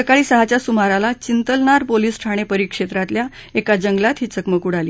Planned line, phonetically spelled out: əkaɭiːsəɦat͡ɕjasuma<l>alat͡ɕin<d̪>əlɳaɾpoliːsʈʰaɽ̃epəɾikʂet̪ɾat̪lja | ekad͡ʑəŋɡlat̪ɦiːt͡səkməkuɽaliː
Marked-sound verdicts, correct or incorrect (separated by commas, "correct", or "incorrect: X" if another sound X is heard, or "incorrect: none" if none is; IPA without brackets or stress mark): incorrect: ɾ, incorrect: t̪